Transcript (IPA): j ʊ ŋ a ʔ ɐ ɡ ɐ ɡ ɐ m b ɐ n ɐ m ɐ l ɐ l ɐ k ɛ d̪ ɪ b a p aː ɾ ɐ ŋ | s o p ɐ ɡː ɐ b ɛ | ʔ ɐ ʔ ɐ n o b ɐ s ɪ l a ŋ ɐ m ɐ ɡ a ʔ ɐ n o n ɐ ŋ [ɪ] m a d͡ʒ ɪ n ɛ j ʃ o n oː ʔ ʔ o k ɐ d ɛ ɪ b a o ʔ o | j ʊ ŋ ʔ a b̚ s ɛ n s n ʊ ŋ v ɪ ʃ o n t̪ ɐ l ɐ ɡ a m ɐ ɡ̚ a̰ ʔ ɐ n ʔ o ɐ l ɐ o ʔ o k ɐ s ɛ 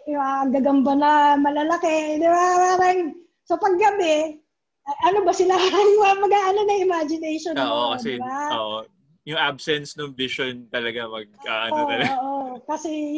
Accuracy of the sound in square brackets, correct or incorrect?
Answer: correct